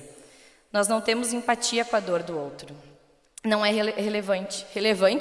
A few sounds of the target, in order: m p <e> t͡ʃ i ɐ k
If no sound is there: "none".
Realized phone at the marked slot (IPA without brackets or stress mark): a